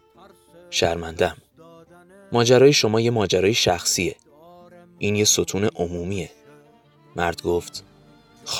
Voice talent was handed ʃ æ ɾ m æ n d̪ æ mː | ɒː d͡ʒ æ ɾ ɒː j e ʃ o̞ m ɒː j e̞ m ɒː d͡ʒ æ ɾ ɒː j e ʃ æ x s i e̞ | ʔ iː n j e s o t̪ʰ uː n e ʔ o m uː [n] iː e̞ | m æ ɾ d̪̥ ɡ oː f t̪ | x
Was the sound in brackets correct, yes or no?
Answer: no